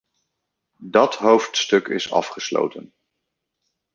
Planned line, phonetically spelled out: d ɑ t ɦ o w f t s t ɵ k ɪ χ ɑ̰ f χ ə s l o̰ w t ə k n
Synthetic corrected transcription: d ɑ t ɦ o w f t s t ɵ k ɪ s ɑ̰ f χ ə s l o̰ w t ə n